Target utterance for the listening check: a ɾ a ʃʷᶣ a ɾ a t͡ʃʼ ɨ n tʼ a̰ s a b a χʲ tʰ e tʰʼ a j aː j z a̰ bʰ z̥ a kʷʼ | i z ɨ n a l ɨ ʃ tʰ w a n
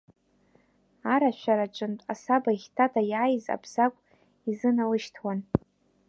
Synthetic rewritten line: a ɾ a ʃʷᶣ a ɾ a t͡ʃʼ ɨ n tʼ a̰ s a b a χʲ tʰ a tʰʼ a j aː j z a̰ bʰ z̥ a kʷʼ | i z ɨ n a l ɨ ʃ tʰ w a n